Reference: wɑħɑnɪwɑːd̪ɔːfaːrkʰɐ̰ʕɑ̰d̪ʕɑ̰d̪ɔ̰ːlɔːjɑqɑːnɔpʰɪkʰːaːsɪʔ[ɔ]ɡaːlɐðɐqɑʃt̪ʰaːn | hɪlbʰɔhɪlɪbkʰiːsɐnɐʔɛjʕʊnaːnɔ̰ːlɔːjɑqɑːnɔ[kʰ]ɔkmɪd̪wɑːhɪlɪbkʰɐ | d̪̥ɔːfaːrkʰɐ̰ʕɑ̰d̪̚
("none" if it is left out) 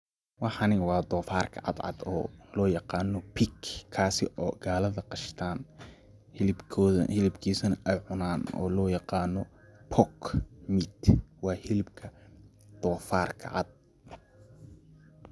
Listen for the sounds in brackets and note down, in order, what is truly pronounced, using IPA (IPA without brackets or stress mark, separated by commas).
ɔː, pʰ